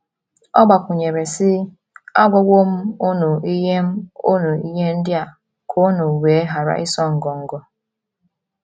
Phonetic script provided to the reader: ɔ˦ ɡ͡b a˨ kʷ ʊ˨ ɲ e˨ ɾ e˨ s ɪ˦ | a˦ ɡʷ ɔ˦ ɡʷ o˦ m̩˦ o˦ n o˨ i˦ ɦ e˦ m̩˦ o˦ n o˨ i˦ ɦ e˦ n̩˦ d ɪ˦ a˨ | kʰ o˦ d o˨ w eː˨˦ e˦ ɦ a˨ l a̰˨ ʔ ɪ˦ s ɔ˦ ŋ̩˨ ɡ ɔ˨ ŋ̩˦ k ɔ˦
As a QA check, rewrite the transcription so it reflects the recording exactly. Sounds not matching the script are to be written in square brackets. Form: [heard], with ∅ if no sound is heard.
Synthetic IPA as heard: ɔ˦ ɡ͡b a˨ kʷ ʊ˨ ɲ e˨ ɾ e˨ s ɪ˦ | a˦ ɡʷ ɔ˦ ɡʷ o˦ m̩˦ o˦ n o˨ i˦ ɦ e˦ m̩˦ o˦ n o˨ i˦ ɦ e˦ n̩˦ d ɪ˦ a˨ | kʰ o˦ [n] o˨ w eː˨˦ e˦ ɦ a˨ [ɾ] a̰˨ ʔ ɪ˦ s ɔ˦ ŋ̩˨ ɡ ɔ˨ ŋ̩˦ [ɡ] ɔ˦